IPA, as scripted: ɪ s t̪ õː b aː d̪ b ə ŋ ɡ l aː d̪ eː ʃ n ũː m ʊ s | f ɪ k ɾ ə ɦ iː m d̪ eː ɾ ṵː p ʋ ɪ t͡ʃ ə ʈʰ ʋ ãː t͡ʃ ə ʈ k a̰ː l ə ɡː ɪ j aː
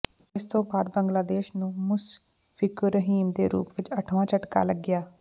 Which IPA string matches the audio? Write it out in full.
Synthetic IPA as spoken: ɪ s t̪ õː b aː d̪ b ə ŋ ɡ l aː d̪ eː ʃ n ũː m ʊ s | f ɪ k ɾ ə ɦ iː m d̪ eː ɾ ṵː p ʋ ɪ t͡ʃ ə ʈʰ ʋ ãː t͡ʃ ə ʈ k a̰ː l ə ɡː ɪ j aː